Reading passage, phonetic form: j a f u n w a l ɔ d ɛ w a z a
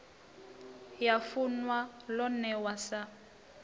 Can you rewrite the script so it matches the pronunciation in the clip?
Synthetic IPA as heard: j a f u n w a l ɔ n ɛ w a s a